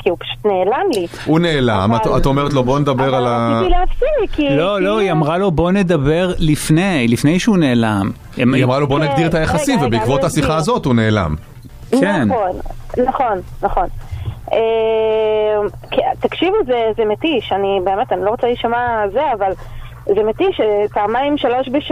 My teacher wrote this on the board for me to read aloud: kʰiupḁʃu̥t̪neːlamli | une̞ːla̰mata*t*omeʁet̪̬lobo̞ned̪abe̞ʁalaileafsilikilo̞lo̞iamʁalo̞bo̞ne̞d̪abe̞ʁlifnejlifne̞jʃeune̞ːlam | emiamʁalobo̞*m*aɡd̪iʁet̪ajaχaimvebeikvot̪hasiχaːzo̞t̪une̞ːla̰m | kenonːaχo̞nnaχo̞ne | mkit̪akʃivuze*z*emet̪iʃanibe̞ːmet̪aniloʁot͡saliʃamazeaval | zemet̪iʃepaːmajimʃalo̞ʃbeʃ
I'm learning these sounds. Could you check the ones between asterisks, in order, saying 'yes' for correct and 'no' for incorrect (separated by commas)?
yes, no, yes